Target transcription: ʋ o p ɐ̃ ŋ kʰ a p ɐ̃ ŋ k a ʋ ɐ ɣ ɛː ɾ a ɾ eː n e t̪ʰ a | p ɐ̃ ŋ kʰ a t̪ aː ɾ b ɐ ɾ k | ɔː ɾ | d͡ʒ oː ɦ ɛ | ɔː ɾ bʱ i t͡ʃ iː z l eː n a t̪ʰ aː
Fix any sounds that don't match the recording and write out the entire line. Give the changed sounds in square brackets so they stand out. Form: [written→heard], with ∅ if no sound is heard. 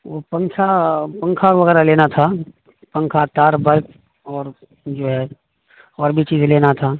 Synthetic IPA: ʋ o p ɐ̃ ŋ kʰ a p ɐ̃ ŋ [k→kʰ] a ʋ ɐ ɣ ɛː ɾ a [ɾ→l] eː n [e→a] t̪ʰ a | p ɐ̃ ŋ kʰ a t̪ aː ɾ b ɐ ɾ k | ɔː ɾ | d͡ʒ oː ɦ ɛ | ɔː ɾ bʱ i t͡ʃ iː z l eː n a t̪ʰ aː

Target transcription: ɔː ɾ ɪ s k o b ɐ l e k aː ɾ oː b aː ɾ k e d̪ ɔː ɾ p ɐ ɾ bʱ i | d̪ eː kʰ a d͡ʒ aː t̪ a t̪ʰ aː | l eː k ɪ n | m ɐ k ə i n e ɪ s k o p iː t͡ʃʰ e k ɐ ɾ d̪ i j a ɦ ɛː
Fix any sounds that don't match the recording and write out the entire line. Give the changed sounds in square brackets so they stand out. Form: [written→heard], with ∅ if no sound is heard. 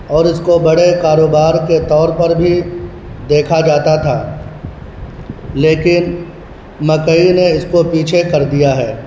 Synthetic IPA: ɔː ɾ ɪ s k o b ɐ [l→ɽ] e k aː ɾ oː b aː ɾ k e [d̪→t̪] ɔː ɾ p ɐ ɾ bʱ i | d̪ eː kʰ a d͡ʒ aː t̪ a t̪ʰ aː | l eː k ɪ n | m ɐ k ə i n e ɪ s k o p iː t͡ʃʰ e k ɐ ɾ d̪ i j a ɦ ɛː

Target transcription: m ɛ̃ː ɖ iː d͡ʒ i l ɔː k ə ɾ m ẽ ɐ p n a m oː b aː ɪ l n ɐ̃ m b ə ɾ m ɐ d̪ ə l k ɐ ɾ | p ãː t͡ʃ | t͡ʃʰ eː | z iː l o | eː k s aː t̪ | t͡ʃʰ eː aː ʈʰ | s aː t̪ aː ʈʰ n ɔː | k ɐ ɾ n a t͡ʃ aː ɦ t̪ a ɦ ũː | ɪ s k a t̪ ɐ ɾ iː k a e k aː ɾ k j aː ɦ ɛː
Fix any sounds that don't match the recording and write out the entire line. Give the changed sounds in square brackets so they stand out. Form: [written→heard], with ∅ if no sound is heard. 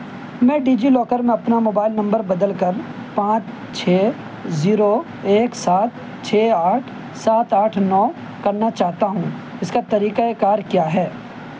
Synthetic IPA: m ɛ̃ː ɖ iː d͡ʒ i l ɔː k ə ɾ m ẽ ɐ p n a m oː b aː ɪ l n ɐ̃ m b ə ɾ [m→b] ɐ d̪ ə l k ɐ ɾ | p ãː t͡ʃ | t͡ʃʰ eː | z iː [l→ɾ] o | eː k s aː t̪ | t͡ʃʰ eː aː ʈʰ | s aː t̪ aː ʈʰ n ɔː | k ɐ ɾ n a t͡ʃ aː ɦ t̪ a ɦ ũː | ɪ s k a t̪ ɐ ɾ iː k a e k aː ɾ k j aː ɦ ɛː

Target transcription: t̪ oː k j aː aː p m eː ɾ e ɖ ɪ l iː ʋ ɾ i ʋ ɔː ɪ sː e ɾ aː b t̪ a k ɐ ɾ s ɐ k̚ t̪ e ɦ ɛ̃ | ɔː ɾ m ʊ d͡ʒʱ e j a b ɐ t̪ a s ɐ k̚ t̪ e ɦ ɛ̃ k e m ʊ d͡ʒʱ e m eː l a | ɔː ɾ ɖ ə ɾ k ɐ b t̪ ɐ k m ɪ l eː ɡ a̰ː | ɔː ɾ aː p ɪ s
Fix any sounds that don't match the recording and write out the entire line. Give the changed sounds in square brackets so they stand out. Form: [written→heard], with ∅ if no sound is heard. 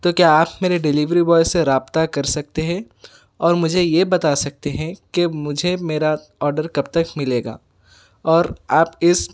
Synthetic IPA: t̪ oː k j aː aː p m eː ɾ e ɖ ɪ l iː ʋ ɾ i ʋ ɔː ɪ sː e ɾ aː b t̪ a k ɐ ɾ s ɐ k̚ t̪ e ɦ ɛ̃ | ɔː ɾ m ʊ d͡ʒʱ e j [a→e] b ɐ t̪ a s ɐ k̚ t̪ e ɦ ɛ̃ k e m ʊ d͡ʒʱ e m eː [l→ɾ] a | ɔː ɾ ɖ ə ɾ k ɐ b t̪ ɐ k m ɪ l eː ɡ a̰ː | ɔː ɾ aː p ɪ s

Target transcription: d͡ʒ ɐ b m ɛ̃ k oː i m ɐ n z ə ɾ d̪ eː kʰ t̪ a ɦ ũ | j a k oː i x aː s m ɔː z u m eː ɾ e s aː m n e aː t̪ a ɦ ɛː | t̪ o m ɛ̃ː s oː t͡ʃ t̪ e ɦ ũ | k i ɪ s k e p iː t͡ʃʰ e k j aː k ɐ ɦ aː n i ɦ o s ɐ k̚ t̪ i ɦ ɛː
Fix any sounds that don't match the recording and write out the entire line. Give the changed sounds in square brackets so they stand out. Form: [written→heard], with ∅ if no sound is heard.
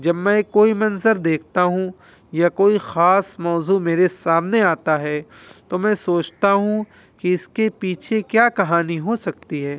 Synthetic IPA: d͡ʒ ɐ b m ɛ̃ k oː i m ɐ n z ə ɾ d̪ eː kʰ t̪ a ɦ ũ | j a k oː i x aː s m ɔː z u m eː ɾ e s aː m n e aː t̪ a ɦ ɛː | t̪ o m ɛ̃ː s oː t͡ʃ t̪ [e→a] ɦ ũ | k i ɪ s k e p iː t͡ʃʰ e k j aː k ɐ ɦ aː n i ɦ o s ɐ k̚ t̪ i ɦ ɛː

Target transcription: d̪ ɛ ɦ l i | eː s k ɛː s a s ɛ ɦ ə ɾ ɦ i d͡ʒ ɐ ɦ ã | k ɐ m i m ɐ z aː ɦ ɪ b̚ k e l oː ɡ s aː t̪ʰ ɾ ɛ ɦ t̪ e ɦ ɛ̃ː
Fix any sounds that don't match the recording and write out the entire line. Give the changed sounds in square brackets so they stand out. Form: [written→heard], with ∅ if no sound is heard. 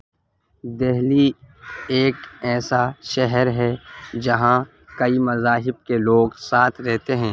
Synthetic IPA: d̪ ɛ ɦ l i | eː [s→∅] k ɛː s a [s→ʃ] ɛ ɦ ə ɾ ɦ [i→ɛ] d͡ʒ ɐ ɦ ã | k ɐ [m→∅] i m ɐ z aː ɦ ɪ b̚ k e l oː ɡ s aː t̪ʰ ɾ ɛ ɦ t̪ e ɦ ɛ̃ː

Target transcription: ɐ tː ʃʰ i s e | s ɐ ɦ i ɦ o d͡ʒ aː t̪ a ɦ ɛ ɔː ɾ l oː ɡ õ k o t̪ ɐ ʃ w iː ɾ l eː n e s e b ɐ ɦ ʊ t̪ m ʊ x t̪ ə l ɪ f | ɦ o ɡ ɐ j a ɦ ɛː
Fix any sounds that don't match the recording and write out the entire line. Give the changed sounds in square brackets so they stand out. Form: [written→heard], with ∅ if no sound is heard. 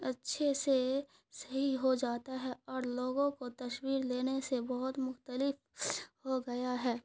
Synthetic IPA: ɐ tː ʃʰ [i→e] s e | s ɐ ɦ i ɦ o d͡ʒ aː t̪ a ɦ ɛ ɔː ɾ l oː ɡ õ k o t̪ ɐ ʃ w iː ɾ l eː n e s e b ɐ ɦ ʊ t̪ m ʊ x t̪ ə l ɪ f | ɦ o ɡ ɐ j a ɦ ɛː

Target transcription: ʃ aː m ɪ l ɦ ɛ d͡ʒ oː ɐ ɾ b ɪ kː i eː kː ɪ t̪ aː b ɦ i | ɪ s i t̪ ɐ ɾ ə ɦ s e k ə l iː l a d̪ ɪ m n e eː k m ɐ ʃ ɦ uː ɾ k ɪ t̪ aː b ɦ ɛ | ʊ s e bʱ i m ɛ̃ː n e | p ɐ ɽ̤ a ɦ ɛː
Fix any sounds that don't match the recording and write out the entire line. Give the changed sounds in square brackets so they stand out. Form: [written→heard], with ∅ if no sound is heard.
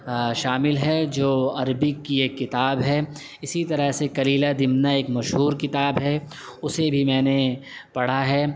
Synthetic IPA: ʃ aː m ɪ l ɦ ɛ d͡ʒ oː ɐ ɾ b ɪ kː i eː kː ɪ t̪ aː b ɦ [i→ɛ] | ɪ s i t̪ ɐ ɾ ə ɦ s e k [ə→ɐ] l iː l a d̪ ɪ m n [e→a] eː k m ɐ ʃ ɦ uː ɾ k ɪ t̪ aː b ɦ ɛ | ʊ s e bʱ i m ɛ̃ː n e | p ɐ ɽ̤ a ɦ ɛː

